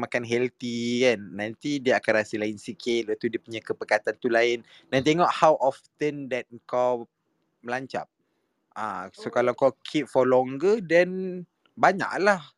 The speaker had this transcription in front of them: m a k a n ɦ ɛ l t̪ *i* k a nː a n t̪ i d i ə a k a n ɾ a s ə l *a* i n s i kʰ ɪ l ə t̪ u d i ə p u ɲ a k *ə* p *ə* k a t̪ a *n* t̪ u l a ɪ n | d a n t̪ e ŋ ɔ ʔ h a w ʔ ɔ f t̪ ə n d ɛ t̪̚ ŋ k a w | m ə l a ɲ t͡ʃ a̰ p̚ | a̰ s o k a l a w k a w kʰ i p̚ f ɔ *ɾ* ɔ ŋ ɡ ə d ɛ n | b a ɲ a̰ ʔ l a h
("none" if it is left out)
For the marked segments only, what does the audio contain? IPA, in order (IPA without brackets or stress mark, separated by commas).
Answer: i, a, ə, ə, n, l